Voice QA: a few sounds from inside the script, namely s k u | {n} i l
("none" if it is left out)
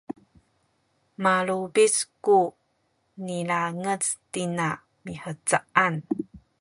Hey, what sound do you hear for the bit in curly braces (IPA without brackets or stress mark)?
n